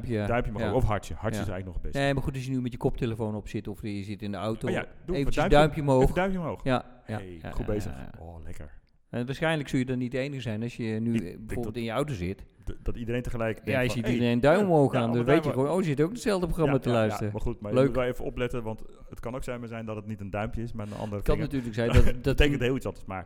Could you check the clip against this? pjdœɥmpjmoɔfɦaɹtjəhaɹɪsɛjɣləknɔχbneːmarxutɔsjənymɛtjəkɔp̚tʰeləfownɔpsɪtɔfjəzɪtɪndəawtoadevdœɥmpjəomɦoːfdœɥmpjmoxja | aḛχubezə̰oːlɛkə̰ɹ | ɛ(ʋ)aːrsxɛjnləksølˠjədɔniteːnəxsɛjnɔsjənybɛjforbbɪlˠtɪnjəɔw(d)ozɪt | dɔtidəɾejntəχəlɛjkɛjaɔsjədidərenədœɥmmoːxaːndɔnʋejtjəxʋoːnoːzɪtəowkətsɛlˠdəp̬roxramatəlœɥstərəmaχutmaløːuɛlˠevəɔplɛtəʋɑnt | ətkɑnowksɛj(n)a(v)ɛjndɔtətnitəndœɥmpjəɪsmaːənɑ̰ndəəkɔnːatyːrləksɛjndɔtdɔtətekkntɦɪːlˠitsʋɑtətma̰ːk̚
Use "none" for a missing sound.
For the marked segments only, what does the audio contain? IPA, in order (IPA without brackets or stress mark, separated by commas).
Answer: ʋ, t, m, z